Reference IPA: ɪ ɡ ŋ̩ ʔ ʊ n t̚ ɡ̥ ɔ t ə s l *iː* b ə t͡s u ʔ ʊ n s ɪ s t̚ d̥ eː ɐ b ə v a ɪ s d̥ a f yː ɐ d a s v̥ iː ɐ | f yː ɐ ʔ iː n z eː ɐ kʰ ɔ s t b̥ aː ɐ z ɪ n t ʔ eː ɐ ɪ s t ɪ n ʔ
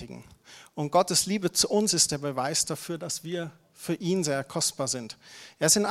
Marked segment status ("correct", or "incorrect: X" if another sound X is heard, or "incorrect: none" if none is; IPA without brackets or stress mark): correct